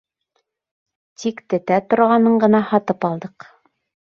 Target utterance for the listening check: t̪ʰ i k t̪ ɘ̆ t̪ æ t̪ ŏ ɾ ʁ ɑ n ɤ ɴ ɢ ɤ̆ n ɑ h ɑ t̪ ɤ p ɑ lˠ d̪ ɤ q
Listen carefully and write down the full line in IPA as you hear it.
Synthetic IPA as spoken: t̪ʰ i k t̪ ɘ̆ t̪ æ t̪ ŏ ɾ ʁ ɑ n ɤ ɴ ɢ ɤ̆ n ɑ h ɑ t̪ ɤ p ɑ lˠ d̪ ɤ q